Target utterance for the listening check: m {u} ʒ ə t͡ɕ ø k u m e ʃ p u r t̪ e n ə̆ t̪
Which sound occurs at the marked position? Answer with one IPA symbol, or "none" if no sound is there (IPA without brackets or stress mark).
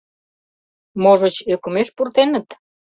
o